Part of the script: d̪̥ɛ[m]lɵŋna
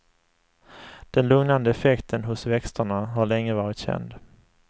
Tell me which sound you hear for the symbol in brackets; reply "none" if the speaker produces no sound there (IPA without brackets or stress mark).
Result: n